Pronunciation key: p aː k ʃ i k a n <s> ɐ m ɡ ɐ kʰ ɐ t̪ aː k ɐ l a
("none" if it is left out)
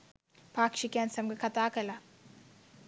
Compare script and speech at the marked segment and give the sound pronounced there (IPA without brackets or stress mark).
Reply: s